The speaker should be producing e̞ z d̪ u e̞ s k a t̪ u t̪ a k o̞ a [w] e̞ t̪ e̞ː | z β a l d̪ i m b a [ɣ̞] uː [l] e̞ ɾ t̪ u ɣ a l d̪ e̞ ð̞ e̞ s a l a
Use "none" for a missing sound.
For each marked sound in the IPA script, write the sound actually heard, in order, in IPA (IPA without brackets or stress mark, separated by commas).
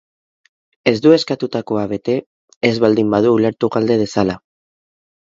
β, ð̞, l